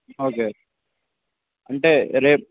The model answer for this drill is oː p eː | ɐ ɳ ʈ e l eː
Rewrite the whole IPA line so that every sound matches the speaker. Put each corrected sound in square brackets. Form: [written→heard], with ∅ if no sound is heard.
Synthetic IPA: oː [p→k] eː | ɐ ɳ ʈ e [l→ɾ] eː